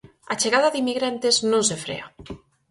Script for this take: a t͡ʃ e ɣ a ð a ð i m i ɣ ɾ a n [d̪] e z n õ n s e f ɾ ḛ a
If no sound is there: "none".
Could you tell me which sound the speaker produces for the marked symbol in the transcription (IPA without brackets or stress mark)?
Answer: t̪